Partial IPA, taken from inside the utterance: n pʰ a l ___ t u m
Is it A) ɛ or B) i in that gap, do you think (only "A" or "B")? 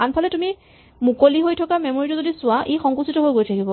A